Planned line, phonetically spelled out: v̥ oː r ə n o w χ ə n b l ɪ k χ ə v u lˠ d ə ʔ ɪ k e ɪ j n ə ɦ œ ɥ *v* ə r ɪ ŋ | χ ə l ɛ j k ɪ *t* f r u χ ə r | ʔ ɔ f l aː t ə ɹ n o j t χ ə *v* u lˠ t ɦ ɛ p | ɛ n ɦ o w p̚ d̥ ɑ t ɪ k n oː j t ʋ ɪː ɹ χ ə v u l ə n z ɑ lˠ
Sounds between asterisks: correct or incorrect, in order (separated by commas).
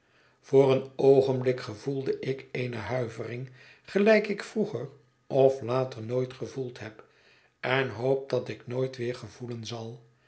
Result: correct, incorrect, correct